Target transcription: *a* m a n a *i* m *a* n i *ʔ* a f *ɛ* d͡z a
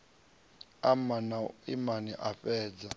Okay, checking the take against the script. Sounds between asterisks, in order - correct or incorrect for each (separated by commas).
correct, correct, correct, correct, incorrect